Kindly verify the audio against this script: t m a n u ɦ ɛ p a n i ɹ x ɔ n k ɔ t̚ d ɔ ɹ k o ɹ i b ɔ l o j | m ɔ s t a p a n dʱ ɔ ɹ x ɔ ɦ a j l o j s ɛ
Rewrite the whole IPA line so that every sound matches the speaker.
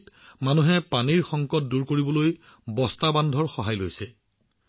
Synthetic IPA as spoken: t m a n u ɦ ɛ p a n i ɹ x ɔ ŋ k ɔ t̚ d u ɹ k o ɹ i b ɔ l o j | b ɔ s t a b a n dʱ ɔ ɹ x ɔ ɦ a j l o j s ɛ